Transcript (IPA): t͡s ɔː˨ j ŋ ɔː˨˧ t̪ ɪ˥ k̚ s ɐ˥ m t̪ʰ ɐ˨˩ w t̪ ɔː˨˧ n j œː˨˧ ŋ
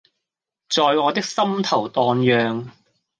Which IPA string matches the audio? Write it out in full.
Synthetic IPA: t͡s ɔː˨ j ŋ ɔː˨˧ t̪ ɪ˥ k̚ s ɐ˥ m t̪ʰ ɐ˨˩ w t̪ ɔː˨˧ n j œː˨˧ ŋ